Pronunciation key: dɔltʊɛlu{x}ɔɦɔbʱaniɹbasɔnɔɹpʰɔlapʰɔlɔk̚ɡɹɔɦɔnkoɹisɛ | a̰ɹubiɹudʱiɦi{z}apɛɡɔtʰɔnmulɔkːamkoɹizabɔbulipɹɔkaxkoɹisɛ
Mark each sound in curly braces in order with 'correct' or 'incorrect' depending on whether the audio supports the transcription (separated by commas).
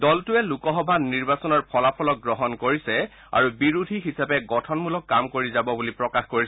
incorrect, incorrect